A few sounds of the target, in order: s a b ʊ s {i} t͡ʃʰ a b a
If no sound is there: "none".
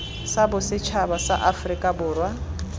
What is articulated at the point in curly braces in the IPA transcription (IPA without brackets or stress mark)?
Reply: ɪ